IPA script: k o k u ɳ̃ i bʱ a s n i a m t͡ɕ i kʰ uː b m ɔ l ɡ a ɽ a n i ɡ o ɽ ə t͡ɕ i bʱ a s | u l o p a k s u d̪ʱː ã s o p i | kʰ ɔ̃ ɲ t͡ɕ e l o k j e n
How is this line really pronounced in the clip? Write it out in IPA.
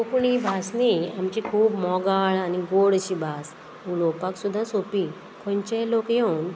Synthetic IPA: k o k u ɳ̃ i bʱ a s n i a m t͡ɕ i kʰ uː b m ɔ ɡ a ɭ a n i ɡ o ɽ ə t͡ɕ i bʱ a s | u l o p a k s u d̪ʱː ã s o p i | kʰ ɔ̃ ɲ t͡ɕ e l o k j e n